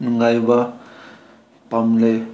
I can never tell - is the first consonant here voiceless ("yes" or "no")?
no